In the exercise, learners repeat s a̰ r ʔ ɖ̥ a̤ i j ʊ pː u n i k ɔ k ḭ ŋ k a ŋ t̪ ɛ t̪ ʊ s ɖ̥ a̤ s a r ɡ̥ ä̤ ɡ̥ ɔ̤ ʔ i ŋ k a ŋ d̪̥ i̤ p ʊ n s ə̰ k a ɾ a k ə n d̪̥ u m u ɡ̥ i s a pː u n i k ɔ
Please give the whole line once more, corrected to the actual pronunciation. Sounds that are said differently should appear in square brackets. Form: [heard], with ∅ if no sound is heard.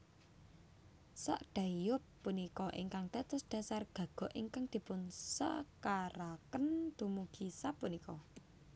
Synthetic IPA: s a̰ [∅] ʔ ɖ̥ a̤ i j ʊ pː u n i k ɔ [ʔ] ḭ ŋ k a ŋ t̪ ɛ t̪ ʊ s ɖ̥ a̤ s a r ɡ̥ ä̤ ɡ̥ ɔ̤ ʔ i ŋ k a ŋ d̪̥ i̤ p ʊ n s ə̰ k a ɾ a k ə n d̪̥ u m u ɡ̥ i s a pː u n i k ɔ